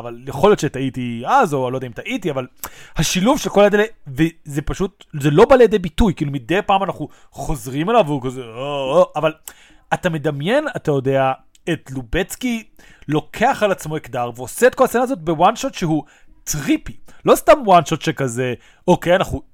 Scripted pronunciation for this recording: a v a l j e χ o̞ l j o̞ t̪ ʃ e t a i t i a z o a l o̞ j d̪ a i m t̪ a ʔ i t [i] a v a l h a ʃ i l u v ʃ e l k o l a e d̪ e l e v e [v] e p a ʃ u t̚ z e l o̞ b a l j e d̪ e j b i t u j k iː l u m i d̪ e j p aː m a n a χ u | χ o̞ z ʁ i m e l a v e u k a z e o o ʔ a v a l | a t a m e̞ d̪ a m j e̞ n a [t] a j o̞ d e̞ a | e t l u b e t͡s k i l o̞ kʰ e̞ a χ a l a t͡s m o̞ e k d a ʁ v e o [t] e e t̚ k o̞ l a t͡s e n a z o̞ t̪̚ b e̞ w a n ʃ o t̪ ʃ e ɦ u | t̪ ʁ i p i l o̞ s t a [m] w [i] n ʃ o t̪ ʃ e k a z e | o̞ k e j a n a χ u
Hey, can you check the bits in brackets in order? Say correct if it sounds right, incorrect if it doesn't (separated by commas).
correct, incorrect, correct, incorrect, correct, incorrect